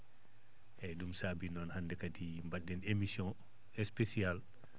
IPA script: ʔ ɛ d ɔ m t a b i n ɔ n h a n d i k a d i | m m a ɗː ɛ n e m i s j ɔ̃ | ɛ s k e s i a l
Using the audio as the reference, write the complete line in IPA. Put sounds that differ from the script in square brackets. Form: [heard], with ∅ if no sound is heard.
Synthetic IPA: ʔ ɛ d [u] m [s] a b i n ɔ n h a n d [ɛ] k a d i | m [b] a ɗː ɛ n e m i s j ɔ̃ | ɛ s [p] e s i a l